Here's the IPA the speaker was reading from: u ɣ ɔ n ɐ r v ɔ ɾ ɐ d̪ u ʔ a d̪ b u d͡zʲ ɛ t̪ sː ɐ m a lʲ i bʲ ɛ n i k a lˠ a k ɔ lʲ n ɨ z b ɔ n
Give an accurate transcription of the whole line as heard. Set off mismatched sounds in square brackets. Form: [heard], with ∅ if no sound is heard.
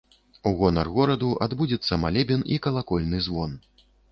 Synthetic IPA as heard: u ɣ ɔ n ɐ r [ɣ] ɔ ɾ ɐ d̪ u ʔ a d̪ b u d͡zʲ ɛ t̪ sː ɐ m a lʲ [ɛ] bʲ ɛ n i k [ɐ] lˠ a k ɔ lʲ n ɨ z [v] ɔ n